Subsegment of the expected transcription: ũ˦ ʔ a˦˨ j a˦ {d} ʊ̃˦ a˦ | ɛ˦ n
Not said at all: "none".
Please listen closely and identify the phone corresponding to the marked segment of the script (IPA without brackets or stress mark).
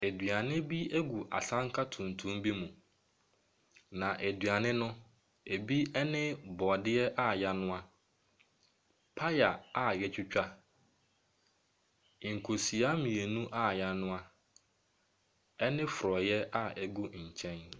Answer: n